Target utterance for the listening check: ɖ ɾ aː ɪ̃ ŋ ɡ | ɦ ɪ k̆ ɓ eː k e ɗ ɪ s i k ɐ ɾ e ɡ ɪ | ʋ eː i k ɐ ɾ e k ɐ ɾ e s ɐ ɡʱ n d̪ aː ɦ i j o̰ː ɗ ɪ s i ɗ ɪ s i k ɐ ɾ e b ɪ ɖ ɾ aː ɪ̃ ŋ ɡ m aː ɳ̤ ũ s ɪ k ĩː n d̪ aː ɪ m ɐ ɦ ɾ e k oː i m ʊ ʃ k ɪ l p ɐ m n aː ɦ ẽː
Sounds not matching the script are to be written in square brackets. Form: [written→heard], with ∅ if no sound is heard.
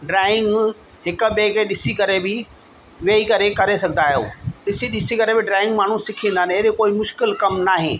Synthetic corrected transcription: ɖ ɾ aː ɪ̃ ŋ ɡ | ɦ ɪ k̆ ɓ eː k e ɗ ɪ s i k ɐ ɾ e [ɡ→b] ɪ | ʋ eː i k ɐ ɾ e k ɐ ɾ e s ɐ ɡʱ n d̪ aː ɦ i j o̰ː ɗ ɪ s i ɗ ɪ s i k ɐ ɾ e b ɪ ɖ ɾ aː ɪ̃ ŋ ɡ m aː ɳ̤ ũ s ɪ [k→kʰ] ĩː n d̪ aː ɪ [m→n] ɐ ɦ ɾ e k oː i m ʊ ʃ k ɪ l [p→k] ɐ m n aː ɦ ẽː